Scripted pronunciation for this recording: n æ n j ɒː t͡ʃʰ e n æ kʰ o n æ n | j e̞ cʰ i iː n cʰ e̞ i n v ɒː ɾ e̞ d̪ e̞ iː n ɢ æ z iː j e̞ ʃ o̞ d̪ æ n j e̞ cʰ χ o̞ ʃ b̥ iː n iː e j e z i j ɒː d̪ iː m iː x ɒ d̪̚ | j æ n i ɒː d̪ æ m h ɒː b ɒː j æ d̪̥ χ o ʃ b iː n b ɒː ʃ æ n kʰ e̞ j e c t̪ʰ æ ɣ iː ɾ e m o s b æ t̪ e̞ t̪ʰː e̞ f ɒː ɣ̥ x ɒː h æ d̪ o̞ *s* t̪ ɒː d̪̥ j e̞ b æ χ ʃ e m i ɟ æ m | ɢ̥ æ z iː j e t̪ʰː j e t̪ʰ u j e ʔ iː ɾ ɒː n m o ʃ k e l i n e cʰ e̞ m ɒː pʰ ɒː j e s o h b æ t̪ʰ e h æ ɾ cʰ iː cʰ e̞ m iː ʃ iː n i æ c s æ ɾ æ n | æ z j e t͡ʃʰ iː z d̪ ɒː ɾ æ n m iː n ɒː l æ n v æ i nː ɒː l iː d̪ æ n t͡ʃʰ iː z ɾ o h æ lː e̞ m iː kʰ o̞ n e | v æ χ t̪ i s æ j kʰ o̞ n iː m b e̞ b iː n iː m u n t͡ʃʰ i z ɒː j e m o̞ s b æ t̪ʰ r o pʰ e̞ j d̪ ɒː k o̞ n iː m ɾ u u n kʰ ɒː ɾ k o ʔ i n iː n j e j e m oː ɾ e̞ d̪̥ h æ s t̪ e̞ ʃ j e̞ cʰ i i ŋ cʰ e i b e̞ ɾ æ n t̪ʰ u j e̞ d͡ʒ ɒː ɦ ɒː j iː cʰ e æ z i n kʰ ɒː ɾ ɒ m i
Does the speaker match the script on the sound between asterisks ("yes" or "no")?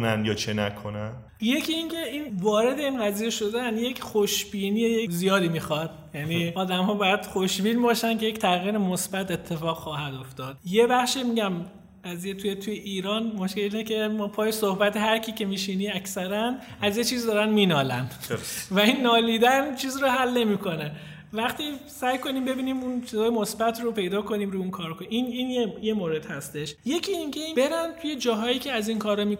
no